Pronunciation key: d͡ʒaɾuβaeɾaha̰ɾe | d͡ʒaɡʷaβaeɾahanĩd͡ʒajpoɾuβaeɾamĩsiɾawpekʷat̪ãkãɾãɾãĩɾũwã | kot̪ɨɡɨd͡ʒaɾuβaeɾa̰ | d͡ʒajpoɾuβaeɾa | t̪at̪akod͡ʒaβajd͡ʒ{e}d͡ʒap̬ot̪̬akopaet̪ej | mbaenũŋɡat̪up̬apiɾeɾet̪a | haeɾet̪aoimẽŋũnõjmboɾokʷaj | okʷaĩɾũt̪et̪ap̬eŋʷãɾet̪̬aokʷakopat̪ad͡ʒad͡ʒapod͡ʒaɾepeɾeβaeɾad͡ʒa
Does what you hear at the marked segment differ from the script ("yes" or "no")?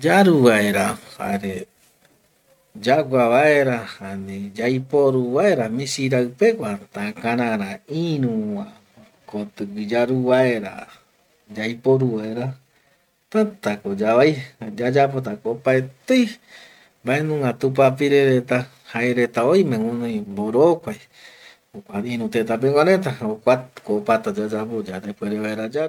yes